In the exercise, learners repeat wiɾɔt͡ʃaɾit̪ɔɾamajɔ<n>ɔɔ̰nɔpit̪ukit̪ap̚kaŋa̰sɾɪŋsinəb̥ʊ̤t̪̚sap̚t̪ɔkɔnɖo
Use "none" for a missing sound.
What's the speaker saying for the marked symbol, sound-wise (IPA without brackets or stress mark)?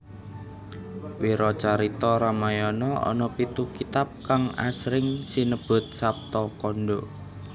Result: n